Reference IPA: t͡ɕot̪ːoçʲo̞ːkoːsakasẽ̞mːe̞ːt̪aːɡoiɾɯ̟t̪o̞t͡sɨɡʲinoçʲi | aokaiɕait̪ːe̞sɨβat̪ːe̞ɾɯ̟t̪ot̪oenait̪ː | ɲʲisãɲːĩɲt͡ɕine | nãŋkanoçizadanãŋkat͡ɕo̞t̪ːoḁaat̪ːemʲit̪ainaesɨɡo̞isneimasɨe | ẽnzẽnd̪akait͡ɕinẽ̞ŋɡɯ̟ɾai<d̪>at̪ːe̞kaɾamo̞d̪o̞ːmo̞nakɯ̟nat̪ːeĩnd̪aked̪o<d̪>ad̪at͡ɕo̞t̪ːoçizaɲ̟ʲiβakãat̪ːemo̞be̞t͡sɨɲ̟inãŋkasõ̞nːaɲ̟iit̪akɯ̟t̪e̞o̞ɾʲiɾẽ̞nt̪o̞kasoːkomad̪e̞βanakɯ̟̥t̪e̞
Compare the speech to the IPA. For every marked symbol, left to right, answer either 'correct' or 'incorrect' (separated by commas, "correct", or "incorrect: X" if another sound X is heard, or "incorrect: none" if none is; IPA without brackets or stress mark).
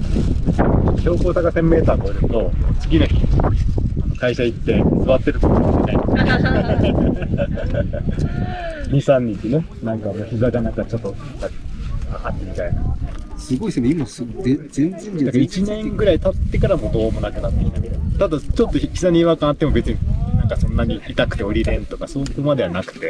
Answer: incorrect: t̪, incorrect: t̪